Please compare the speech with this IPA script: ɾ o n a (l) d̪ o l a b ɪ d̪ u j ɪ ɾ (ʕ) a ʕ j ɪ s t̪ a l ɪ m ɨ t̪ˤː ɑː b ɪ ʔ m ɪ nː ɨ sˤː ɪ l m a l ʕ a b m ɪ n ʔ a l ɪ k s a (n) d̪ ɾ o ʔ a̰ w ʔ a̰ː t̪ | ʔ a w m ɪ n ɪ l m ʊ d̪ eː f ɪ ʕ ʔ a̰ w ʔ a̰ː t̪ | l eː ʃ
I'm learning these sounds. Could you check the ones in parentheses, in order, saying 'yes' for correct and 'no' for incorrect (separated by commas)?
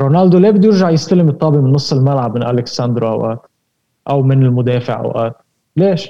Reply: yes, no, yes